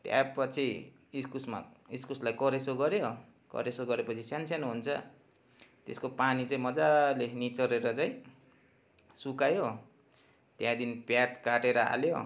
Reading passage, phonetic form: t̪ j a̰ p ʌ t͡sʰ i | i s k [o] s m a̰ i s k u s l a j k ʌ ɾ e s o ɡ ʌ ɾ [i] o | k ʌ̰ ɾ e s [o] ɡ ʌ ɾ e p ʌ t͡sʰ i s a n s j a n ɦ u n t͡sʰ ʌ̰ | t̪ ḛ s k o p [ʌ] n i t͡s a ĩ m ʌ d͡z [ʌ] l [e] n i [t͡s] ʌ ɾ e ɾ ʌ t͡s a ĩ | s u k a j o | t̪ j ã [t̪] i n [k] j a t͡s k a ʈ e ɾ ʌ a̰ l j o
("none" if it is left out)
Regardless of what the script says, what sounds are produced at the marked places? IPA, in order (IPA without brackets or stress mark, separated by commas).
u, j, o, a, a, e, t͡s, d̪, p